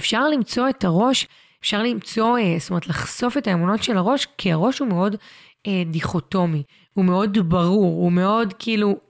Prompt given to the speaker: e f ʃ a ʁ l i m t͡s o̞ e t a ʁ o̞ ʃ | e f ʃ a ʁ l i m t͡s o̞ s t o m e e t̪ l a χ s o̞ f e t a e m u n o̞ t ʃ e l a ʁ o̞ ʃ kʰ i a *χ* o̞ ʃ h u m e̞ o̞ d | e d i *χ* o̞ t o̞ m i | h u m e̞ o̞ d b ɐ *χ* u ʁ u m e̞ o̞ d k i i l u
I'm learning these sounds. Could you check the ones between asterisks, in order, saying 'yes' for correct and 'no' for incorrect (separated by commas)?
no, yes, no